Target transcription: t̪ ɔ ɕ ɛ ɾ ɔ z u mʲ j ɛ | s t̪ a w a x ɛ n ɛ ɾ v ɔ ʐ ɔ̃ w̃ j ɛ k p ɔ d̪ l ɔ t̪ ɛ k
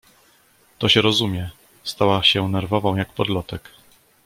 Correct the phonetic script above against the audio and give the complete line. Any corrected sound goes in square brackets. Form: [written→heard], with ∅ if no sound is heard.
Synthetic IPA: t̪ ɔ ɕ ɛ ɾ ɔ z u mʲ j ɛ | s t̪ a w a [x→ɕ] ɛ n ɛ ɾ v ɔ [ʐ→v] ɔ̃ w̃ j [ɛ→a] k p ɔ d̪ l ɔ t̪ ɛ k